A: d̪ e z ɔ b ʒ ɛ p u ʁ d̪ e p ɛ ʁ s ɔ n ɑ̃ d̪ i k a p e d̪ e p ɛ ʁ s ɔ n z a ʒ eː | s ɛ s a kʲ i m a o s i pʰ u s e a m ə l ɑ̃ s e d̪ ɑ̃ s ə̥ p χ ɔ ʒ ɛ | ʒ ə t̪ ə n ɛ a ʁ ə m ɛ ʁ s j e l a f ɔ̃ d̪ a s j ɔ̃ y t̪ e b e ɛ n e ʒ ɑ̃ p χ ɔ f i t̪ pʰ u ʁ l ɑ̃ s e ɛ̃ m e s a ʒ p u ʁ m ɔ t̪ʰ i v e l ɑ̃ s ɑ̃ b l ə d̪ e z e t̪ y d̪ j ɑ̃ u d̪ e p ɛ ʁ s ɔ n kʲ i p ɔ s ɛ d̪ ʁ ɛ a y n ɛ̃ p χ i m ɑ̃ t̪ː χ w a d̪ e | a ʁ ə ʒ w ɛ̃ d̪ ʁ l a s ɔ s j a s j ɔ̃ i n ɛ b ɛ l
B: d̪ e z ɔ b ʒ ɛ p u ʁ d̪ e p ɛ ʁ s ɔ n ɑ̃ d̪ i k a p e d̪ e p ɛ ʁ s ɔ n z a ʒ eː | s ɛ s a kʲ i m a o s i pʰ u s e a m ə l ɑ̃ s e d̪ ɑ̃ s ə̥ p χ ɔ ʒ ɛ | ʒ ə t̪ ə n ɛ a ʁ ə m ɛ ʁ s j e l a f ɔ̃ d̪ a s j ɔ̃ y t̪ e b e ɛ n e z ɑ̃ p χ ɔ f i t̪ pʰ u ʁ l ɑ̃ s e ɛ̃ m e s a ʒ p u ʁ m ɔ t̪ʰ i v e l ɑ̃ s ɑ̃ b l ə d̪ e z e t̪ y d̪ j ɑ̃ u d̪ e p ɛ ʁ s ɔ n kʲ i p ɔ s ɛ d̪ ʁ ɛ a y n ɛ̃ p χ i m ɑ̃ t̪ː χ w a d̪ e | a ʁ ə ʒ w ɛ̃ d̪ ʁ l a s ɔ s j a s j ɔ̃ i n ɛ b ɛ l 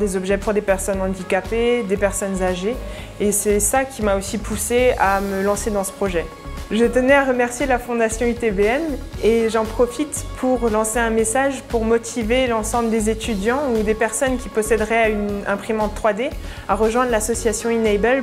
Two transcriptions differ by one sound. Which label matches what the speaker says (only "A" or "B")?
A